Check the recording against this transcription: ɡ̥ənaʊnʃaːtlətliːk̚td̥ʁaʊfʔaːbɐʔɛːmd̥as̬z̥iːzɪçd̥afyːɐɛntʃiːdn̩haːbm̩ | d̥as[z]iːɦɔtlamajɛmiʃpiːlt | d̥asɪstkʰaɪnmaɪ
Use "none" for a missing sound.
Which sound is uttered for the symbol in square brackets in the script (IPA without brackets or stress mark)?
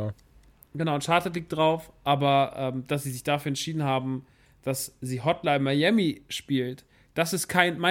z